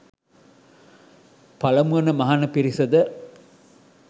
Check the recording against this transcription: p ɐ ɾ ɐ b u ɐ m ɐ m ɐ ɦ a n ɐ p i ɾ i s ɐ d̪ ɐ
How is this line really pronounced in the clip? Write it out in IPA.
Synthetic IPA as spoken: p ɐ l ɐ m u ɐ n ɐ m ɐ ɦ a n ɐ p i ɾ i s ɐ d̪ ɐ

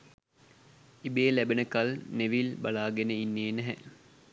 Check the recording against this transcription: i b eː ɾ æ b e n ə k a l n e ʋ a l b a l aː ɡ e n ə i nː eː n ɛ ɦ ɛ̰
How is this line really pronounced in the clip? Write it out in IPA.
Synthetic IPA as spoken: i b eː l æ b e n ə k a l n e ʋ i l b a l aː ɡ e n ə i nː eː n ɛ ɦ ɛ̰

